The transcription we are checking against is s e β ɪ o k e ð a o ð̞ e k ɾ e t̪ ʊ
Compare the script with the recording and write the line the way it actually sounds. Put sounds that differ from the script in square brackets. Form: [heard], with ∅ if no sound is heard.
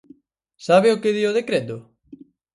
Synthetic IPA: s [a] β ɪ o k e ð [i] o ð̞ e k ɾ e t̪ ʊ